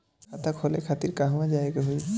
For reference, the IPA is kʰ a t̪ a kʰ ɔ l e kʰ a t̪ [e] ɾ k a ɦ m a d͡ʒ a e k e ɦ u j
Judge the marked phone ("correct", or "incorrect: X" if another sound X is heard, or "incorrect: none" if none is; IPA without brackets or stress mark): incorrect: i